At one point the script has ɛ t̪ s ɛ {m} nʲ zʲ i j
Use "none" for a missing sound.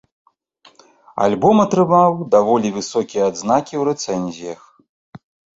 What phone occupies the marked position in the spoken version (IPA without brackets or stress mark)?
none